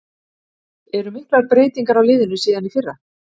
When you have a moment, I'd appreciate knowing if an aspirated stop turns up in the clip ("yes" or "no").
no